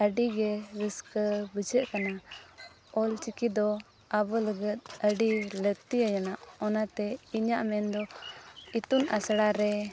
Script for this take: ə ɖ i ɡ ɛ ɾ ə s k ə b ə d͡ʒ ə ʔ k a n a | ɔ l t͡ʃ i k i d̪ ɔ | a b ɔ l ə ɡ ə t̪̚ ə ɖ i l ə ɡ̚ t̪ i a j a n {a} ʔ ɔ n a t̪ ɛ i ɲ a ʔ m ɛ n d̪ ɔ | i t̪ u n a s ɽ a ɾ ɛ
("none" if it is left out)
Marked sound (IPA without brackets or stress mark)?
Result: a